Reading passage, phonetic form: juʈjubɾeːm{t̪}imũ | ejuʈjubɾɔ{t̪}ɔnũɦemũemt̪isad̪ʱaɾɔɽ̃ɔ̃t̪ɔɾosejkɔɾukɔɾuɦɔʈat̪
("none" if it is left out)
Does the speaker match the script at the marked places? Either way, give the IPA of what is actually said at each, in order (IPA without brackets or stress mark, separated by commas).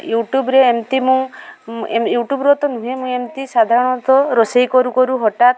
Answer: t̪, t̪